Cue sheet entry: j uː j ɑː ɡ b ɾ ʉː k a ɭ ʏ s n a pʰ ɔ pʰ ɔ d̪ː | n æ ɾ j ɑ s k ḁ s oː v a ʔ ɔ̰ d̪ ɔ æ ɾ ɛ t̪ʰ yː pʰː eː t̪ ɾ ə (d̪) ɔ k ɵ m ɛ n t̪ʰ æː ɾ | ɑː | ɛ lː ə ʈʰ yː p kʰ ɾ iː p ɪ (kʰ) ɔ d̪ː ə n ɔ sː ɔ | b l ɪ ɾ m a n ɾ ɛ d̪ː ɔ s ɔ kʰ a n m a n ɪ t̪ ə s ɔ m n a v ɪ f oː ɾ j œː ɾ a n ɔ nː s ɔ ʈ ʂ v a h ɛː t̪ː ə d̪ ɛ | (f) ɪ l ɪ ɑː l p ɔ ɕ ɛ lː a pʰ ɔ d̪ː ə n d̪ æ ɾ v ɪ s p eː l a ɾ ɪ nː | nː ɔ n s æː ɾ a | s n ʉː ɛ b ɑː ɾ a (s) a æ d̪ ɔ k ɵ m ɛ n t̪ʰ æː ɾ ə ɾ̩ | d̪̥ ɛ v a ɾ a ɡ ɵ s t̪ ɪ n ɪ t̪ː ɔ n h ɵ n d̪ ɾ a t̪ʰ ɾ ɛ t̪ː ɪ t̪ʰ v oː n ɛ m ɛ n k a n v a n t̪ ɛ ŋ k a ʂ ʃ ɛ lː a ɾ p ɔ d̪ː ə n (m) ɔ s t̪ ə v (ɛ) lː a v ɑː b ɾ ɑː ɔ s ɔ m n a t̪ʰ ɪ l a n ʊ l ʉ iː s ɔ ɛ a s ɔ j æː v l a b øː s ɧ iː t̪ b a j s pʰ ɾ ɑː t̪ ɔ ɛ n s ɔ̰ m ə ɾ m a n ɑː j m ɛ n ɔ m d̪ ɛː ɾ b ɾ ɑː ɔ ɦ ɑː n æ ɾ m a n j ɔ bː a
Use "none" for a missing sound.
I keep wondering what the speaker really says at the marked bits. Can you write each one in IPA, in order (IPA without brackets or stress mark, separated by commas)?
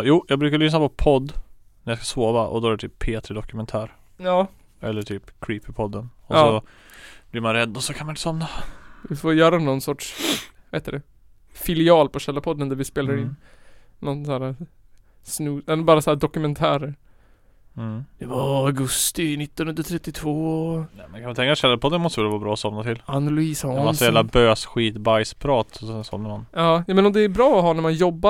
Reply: d̪, pʰ, f, s, m, ɛ